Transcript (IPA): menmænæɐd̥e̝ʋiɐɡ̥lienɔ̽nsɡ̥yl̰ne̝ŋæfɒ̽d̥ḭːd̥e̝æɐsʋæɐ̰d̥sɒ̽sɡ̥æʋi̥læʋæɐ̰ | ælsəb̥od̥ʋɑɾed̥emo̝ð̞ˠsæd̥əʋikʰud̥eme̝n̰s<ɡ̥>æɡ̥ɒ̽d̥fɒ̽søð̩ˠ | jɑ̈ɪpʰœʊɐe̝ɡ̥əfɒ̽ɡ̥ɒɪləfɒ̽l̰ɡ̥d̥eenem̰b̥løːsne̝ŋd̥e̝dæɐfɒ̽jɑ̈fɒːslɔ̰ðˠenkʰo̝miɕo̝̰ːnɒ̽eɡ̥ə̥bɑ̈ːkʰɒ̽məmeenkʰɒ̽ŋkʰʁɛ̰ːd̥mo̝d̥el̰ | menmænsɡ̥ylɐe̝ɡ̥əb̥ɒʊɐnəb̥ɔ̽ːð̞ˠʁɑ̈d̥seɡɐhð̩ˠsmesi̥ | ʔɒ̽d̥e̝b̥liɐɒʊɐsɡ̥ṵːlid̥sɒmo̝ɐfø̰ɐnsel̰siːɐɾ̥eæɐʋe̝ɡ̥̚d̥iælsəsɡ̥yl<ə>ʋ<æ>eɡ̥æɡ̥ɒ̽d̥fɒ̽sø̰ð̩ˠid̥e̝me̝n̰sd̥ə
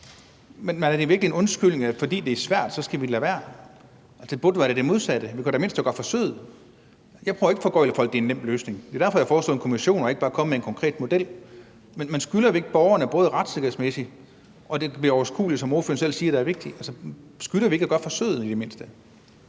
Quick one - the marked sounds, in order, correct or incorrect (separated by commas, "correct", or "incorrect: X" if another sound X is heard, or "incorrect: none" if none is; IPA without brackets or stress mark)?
incorrect: d̥, incorrect: ɐ, incorrect: i